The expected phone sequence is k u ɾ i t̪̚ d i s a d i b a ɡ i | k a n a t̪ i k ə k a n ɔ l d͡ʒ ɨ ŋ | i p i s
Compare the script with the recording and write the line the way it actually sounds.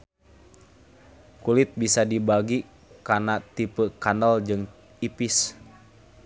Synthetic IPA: k u l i t̪̚ b i s a d i b a ɡ i | k a n a t̪ i p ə k a n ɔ l d͡ʒ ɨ ŋ | i p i s